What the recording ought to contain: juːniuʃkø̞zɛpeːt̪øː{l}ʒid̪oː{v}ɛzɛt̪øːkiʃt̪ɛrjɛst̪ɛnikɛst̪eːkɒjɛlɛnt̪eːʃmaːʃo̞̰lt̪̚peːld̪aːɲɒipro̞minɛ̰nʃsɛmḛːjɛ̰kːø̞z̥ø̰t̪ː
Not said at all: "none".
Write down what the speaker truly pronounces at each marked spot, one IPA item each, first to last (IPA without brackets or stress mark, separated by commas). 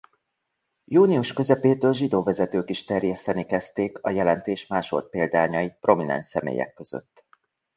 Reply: l, v